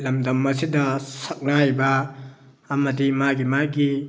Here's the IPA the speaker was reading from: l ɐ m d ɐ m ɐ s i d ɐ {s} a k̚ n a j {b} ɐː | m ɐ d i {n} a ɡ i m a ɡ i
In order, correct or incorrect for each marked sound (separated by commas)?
correct, correct, incorrect